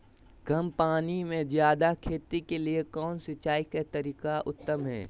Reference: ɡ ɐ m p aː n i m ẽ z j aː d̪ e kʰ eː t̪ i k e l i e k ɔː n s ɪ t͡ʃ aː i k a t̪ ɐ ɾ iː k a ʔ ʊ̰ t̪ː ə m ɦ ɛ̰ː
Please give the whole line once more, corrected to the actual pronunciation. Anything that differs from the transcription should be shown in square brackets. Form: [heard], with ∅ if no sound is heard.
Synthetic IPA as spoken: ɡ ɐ m p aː n i m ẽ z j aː d̪ [a] kʰ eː t̪ i k e l i e k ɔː n s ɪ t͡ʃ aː i k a t̪ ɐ ɾ iː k a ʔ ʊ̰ t̪ː ə m ɦ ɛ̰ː